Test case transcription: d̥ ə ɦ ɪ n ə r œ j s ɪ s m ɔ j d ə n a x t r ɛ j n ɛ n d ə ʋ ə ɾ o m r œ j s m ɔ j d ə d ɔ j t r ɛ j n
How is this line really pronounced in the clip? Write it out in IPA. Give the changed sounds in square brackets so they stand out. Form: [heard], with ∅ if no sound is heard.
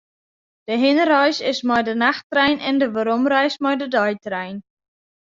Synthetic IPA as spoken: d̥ ə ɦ ɪ n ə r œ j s ɪ s m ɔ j d ə n a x t r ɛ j n ɛ n d ə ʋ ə ɾ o m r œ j s m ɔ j d ə d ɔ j t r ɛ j n